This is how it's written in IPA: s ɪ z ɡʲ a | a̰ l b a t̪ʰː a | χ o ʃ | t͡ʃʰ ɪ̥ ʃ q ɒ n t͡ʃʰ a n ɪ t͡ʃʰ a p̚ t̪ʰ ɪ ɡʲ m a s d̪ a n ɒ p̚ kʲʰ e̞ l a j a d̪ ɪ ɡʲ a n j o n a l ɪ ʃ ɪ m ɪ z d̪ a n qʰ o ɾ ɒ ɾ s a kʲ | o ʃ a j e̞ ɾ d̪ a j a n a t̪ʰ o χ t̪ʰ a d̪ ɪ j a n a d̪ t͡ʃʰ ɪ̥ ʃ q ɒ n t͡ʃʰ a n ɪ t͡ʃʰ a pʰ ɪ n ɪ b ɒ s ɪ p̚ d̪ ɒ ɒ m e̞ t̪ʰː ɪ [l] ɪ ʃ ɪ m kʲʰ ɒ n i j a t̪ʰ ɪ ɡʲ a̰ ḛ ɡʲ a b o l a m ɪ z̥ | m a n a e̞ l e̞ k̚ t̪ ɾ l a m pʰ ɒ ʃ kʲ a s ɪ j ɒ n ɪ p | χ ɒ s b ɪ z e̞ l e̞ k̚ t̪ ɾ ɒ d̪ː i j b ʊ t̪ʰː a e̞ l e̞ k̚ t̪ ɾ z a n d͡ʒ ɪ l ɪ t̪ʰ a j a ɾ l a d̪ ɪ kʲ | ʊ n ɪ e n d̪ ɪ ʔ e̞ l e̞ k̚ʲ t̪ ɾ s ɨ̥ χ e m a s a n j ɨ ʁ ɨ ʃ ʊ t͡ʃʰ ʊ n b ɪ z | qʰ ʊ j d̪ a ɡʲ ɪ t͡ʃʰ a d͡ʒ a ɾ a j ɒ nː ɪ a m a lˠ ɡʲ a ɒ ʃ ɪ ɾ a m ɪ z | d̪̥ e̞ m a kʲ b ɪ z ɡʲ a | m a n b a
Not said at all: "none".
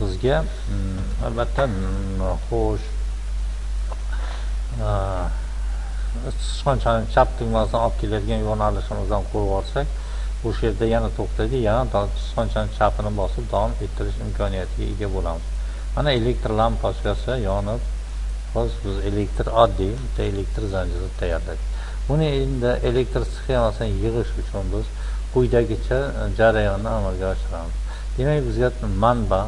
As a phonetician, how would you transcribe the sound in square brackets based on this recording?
ɾ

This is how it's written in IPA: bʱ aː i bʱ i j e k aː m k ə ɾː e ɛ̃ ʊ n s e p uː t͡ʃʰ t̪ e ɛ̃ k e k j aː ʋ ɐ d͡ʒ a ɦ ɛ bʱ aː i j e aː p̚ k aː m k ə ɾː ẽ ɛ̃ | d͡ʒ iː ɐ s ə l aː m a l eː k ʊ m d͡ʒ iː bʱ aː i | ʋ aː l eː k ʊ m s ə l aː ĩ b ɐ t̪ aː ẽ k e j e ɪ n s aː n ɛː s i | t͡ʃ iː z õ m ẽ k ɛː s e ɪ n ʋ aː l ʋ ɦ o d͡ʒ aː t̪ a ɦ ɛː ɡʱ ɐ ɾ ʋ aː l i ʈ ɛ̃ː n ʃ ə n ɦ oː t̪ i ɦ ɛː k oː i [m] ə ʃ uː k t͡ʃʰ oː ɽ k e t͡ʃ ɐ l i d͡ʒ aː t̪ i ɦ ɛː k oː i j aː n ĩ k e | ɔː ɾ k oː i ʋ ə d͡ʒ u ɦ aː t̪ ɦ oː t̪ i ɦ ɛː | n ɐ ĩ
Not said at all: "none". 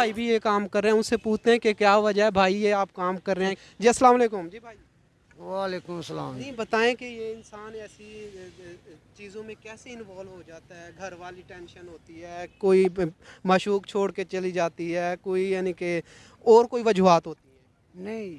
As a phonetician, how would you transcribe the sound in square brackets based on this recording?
m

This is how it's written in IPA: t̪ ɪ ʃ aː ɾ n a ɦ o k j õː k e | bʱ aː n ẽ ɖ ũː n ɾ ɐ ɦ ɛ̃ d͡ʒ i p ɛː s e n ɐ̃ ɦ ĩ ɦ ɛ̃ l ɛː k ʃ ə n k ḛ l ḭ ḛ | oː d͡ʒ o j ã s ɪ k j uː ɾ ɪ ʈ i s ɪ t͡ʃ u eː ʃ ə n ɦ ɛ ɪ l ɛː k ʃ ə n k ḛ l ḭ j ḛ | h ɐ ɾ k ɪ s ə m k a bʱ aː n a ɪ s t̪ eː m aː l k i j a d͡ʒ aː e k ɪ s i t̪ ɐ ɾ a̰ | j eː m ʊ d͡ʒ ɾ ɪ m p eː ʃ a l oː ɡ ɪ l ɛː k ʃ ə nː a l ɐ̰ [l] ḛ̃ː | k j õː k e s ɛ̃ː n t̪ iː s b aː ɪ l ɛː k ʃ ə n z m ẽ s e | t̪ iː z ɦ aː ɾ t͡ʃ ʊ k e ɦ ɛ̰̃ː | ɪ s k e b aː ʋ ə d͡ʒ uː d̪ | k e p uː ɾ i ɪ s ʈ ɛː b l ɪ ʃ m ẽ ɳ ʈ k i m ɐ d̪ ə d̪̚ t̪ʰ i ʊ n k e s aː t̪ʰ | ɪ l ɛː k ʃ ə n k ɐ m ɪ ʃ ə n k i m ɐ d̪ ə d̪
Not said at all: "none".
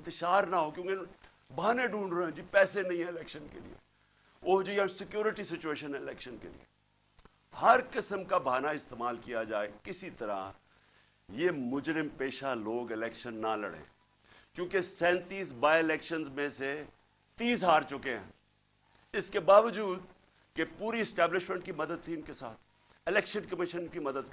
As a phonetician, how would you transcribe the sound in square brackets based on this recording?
ɽ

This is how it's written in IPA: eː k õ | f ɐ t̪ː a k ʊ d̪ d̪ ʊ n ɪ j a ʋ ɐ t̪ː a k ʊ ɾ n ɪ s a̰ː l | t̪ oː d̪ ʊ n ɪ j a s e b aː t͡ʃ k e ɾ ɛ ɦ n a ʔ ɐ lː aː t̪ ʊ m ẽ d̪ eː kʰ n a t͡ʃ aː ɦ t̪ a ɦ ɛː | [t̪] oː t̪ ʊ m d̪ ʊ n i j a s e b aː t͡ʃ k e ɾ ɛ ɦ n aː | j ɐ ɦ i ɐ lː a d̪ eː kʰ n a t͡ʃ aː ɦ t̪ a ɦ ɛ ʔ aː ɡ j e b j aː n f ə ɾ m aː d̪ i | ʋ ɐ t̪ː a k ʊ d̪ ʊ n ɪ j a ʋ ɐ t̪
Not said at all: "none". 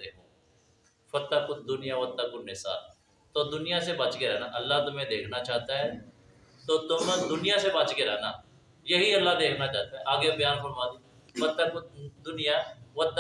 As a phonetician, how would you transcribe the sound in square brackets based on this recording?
t̪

